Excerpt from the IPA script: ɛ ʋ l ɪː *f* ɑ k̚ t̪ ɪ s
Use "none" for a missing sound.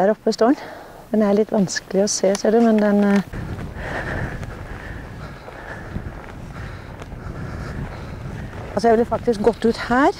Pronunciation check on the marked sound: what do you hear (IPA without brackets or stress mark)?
f